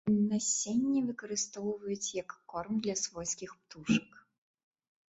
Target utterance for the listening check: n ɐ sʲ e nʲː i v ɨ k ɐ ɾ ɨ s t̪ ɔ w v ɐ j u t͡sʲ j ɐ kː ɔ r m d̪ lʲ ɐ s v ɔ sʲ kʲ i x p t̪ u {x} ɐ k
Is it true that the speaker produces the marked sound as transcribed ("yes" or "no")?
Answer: no